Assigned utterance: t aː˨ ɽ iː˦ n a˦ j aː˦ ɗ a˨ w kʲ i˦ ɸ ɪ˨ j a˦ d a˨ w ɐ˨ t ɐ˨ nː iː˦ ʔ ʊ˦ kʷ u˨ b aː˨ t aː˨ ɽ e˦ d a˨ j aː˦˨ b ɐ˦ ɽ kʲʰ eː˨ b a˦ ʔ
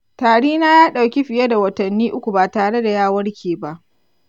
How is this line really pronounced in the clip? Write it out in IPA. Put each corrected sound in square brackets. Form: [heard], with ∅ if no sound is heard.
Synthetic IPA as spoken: t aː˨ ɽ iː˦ n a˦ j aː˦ ɗ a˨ w kʲ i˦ ɸ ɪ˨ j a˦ d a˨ w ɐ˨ t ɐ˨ nː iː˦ ʔ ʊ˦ kʷ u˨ b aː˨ t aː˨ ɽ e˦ d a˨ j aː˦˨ [w] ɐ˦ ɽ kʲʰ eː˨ b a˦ ʔ